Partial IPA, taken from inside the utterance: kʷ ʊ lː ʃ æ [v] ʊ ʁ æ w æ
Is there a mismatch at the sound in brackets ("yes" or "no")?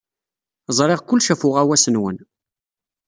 yes